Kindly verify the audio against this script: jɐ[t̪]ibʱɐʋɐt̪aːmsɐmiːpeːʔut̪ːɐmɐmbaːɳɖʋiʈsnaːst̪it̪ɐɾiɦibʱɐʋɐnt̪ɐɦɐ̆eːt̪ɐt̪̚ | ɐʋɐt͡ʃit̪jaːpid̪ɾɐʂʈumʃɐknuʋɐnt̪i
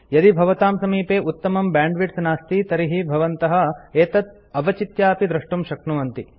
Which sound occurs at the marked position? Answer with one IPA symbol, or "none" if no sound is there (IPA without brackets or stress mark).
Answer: d̪